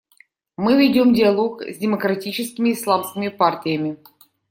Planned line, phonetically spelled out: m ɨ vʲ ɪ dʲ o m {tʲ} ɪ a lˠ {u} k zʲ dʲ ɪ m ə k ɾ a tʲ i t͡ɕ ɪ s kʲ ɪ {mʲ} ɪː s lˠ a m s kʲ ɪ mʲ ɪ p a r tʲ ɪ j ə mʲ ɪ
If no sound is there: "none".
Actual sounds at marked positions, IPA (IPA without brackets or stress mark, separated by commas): dʲ, o, mʲ